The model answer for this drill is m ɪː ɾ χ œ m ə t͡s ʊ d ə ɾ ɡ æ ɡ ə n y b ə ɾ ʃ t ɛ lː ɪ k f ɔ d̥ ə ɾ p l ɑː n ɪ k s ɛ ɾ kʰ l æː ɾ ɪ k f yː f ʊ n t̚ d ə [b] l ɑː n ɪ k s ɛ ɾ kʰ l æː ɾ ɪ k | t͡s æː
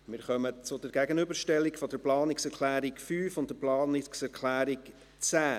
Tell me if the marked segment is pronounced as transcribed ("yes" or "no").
no